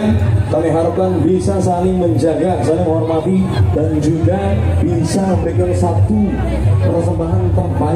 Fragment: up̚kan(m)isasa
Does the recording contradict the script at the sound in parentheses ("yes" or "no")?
yes